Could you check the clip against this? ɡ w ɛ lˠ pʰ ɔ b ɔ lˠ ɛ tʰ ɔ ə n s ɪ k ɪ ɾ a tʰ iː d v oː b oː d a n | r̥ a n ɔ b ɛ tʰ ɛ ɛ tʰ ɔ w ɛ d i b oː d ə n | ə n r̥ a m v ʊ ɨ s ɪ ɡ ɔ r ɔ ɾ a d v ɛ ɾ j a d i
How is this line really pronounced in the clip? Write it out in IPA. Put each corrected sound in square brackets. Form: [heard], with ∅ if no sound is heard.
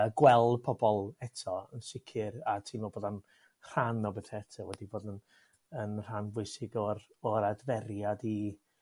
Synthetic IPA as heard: ɡ w ɛ lˠ pʰ ɔ b ɔ lˠ ɛ tʰ ɔ ə n s ɪ [kʰ] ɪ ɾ a tʰ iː [n] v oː b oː d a n | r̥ a n ɔ b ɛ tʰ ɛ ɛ tʰ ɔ w ɛ d i b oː d ə n | ə n r̥ a [n] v ʊ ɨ s ɪ ɡ ɔ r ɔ ɾ a d v ɛ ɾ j a d i

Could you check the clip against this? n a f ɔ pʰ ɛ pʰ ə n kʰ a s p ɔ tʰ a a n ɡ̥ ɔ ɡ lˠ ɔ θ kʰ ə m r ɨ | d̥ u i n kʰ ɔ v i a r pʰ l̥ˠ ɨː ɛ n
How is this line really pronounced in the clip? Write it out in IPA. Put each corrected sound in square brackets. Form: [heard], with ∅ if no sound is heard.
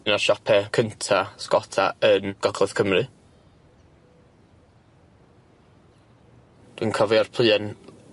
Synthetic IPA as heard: n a [ʃ] ɔ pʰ ɛ [kʰ] ə n [tʰ] a s [k] ɔ tʰ a [ə] n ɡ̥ ɔ ɡ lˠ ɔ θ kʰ ə m r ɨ | d̥ [w] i n kʰ ɔ v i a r pʰ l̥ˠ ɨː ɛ n

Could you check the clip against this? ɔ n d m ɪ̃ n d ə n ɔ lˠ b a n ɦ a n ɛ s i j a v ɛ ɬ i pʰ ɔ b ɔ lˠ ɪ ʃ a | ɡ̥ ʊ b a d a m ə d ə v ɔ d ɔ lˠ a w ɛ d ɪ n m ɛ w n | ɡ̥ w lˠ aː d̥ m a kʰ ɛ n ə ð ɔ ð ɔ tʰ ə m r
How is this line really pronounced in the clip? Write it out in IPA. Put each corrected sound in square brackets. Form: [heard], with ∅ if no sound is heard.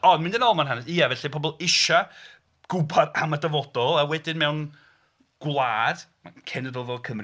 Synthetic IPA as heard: ɔ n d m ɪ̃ n d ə n ɔ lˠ [m] a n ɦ a n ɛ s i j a v ɛ ɬ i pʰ ɔ b ɔ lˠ ɪ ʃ a | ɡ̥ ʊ b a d a m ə d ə v ɔ d ɔ lˠ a w ɛ d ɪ n m ɛ w n | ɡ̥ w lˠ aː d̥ m a kʰ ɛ n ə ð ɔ ð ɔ [kʰ] ə m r

